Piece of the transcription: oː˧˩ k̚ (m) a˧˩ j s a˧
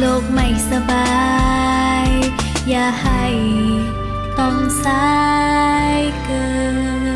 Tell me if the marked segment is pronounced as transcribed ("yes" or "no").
yes